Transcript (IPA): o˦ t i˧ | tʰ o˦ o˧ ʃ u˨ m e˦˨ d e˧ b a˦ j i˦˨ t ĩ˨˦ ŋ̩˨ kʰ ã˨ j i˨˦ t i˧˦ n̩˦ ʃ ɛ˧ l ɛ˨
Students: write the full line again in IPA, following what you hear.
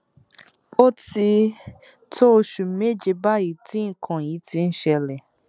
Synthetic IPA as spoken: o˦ t i˧ | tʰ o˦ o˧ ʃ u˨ m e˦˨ d͡ʒ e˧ b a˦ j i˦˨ t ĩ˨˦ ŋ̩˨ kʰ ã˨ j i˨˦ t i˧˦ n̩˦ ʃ ɛ˧ l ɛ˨